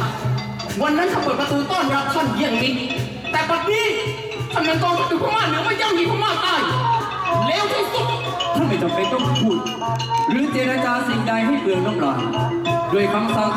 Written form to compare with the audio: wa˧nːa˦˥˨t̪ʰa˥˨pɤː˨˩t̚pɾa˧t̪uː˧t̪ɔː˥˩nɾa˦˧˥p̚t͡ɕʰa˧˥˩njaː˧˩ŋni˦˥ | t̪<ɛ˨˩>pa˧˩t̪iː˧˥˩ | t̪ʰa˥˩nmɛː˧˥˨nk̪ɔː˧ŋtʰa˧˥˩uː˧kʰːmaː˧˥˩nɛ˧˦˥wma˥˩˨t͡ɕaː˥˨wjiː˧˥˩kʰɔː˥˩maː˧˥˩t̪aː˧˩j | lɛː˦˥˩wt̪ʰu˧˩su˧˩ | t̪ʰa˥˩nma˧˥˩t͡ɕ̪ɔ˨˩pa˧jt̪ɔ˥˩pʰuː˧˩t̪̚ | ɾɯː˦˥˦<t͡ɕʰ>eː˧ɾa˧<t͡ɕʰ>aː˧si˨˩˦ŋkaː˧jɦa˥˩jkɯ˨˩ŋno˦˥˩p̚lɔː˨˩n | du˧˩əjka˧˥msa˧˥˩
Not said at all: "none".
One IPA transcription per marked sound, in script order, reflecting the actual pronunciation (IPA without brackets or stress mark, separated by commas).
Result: ɛː˨˩, t͡ɕ, t͡ɕ